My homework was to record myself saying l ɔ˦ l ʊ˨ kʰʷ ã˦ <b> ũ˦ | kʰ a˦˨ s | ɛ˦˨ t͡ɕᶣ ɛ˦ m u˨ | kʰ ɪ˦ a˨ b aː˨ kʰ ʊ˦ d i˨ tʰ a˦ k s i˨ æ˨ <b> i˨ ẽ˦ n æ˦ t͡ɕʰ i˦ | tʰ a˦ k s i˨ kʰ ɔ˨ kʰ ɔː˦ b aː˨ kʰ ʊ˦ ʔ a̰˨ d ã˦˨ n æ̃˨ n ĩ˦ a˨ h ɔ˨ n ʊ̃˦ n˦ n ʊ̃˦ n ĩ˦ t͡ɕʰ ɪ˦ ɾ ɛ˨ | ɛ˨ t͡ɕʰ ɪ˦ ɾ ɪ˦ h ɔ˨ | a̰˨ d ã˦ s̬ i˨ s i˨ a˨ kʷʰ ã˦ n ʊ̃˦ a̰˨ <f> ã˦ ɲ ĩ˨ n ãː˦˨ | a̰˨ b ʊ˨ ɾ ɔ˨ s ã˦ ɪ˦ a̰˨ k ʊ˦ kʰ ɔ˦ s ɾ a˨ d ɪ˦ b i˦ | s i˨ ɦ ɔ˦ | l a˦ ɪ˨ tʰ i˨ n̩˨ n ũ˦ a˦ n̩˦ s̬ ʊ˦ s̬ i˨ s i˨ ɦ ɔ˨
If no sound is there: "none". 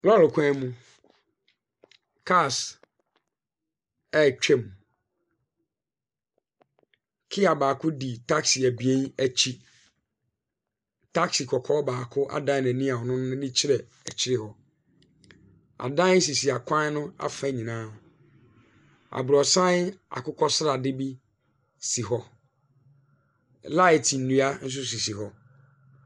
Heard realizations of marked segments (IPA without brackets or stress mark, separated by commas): m, b, f